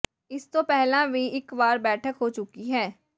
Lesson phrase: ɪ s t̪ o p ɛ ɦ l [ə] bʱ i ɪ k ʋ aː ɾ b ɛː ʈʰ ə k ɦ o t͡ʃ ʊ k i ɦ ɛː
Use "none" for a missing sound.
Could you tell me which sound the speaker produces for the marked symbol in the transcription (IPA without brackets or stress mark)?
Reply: a